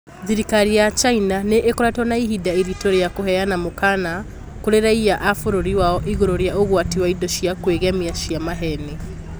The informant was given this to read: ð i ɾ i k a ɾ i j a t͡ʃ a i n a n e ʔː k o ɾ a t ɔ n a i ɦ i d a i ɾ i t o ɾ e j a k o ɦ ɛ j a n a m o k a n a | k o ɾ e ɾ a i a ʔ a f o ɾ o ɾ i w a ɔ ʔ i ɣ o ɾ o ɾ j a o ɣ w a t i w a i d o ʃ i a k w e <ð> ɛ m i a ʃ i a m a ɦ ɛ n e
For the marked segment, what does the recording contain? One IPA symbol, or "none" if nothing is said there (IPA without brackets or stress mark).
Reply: ɣ